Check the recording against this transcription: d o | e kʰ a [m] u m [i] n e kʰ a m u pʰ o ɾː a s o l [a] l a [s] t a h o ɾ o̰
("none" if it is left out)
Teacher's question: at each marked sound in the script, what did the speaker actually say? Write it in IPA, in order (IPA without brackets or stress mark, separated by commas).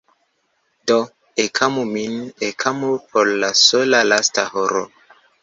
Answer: m, i, a, s